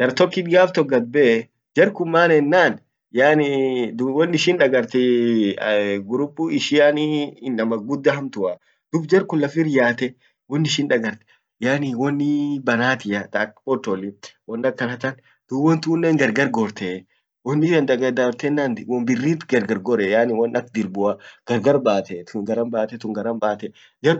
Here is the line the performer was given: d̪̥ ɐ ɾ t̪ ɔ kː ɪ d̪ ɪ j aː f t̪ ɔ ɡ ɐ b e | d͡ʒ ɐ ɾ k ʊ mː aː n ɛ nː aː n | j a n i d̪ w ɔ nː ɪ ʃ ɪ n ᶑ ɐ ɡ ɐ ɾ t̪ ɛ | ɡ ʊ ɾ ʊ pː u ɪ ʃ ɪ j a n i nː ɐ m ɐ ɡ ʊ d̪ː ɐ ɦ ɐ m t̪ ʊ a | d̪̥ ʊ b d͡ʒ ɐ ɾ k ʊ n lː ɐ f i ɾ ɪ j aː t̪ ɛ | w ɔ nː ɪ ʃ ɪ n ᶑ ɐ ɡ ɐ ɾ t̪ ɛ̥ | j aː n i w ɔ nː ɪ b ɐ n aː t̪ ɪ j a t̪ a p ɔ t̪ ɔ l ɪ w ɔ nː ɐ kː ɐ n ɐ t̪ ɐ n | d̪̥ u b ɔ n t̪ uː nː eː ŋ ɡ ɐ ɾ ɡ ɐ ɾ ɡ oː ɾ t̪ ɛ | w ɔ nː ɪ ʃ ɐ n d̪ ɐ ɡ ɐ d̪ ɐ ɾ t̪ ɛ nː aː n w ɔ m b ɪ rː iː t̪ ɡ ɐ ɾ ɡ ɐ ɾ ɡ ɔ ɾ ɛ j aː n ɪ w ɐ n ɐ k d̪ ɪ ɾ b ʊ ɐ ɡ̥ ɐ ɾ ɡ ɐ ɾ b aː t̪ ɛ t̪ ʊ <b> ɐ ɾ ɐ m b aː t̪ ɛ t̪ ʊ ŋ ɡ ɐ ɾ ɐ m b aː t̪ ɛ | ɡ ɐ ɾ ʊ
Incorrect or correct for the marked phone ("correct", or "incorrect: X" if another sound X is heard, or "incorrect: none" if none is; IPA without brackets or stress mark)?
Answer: incorrect: ɡ